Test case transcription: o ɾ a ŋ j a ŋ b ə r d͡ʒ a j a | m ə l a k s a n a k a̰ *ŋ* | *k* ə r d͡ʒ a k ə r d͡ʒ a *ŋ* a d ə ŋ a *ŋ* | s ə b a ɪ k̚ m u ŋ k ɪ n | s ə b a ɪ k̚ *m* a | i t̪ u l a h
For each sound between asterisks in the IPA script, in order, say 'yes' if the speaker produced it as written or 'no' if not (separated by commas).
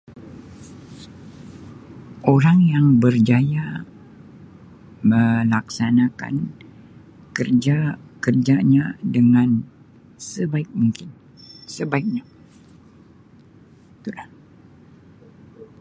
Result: no, yes, no, no, no